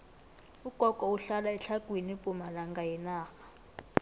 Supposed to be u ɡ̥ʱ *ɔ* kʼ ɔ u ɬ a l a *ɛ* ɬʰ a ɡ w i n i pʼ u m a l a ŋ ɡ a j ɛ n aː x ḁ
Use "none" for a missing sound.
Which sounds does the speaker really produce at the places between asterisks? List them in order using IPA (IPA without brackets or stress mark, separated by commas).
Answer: ɔ, ɛ